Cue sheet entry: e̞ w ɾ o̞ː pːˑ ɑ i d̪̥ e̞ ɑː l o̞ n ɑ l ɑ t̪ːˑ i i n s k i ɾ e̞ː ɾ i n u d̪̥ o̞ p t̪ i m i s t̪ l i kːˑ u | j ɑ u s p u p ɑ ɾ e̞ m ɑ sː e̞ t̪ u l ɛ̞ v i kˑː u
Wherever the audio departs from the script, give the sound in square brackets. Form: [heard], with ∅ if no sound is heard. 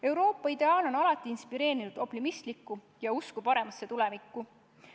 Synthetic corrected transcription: e̞ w ɾ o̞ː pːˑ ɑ i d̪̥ e̞ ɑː l o̞ n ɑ l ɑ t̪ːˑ i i n s [p] i ɾ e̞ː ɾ i n u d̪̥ o̞ p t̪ i m i s t̪ l i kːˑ u | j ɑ u s [k] u p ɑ ɾ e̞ m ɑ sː e̞ t̪ u l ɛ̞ v i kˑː u